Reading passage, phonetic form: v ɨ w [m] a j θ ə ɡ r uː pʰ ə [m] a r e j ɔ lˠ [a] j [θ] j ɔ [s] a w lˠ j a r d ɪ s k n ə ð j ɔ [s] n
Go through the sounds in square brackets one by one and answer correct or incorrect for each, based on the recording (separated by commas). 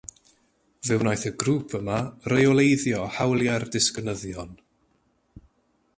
incorrect, correct, incorrect, incorrect, incorrect, incorrect